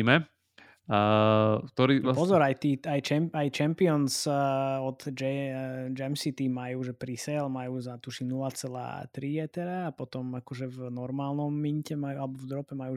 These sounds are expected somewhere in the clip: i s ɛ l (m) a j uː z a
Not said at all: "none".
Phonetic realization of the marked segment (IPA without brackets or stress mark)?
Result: m